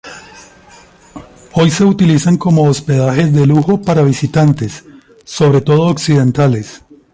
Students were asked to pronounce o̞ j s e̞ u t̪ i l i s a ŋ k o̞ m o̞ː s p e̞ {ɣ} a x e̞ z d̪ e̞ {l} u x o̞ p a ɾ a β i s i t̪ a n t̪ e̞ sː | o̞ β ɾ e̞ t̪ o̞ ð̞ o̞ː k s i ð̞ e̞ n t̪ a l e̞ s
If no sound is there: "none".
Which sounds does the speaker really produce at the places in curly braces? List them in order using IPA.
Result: ð, l

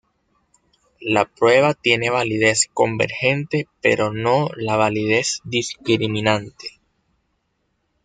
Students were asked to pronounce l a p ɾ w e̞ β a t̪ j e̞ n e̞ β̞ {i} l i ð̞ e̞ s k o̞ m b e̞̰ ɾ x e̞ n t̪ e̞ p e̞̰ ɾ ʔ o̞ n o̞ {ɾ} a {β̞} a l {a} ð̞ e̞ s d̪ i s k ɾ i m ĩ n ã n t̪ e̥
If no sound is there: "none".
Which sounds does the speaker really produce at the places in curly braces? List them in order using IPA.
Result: a, l, β̞, i

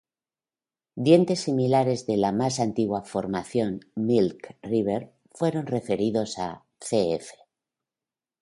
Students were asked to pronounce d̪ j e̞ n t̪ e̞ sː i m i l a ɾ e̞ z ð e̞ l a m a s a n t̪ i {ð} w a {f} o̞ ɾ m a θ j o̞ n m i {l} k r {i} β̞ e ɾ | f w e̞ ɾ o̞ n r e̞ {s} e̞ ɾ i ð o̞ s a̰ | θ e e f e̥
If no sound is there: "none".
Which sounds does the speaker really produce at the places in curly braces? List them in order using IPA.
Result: ɣ, f, l, i, f

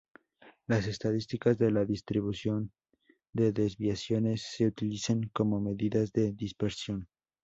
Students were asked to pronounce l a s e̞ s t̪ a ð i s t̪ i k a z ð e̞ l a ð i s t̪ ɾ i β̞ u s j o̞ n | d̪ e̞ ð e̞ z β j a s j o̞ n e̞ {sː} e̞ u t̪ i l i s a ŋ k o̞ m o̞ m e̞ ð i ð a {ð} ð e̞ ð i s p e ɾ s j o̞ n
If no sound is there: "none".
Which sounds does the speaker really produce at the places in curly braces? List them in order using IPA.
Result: sː, z

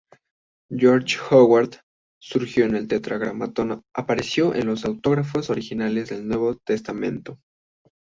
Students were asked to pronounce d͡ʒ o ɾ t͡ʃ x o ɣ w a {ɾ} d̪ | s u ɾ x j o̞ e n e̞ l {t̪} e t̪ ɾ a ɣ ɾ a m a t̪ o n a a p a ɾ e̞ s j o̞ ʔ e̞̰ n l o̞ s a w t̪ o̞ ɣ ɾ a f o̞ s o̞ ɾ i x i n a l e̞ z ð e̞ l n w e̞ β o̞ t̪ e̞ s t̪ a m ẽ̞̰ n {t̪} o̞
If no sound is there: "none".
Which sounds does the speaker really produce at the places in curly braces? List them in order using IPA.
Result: ɾ, t̪, t̪

